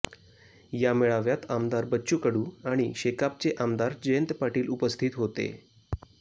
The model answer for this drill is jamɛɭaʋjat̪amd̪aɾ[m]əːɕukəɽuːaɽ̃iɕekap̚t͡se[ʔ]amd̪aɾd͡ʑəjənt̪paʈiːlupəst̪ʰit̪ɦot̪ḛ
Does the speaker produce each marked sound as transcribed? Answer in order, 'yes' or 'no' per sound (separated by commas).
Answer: no, yes